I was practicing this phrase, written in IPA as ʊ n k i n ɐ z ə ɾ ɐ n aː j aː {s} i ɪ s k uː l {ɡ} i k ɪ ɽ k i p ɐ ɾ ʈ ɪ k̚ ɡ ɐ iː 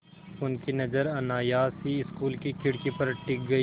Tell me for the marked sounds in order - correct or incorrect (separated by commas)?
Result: correct, incorrect